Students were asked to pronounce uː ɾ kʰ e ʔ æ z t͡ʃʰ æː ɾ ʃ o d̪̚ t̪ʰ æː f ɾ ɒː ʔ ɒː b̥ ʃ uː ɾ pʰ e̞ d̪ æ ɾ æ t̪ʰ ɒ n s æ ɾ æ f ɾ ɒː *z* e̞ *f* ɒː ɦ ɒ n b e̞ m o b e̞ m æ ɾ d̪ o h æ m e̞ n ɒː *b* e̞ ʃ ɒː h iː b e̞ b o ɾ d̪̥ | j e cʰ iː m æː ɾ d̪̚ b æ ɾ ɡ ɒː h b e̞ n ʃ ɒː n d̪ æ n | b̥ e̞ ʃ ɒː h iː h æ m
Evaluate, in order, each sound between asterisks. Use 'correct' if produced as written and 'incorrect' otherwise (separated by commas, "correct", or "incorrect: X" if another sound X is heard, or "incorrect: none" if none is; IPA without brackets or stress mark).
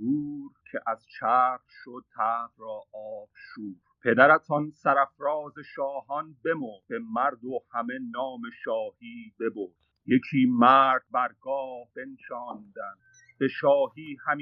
correct, incorrect: ʃ, incorrect: m